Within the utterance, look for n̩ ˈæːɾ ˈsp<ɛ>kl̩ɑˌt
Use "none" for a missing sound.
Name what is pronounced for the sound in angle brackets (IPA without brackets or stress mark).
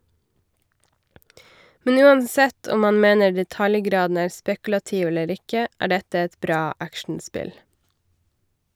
ɛ